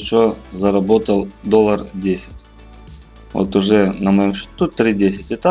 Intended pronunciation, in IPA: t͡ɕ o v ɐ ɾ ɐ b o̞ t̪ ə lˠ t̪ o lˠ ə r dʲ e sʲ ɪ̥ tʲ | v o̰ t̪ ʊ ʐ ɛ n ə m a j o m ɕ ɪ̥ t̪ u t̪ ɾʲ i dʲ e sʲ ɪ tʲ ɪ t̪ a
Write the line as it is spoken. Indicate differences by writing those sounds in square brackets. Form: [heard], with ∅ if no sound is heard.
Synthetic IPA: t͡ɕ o [z] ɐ ɾ ɐ b o̞ t̪ ə lˠ [d̪] o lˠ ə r dʲ e sʲ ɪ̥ tʲ | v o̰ t̪ ʊ ʐ ɛ n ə m [ɐ] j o m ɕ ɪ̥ t̪ u t̪ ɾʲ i dʲ e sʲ ɪ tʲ ɪ t̪ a